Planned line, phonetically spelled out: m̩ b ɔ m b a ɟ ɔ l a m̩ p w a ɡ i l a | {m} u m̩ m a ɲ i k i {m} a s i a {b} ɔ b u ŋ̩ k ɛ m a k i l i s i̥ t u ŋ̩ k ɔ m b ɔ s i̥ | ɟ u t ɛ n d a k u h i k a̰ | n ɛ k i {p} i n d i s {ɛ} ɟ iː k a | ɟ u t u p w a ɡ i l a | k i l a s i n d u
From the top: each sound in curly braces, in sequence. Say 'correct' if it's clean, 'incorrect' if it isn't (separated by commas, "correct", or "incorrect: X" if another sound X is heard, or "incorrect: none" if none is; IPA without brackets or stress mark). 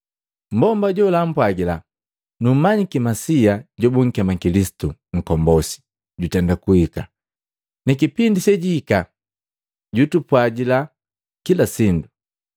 incorrect: n, correct, incorrect: ɟ, correct, correct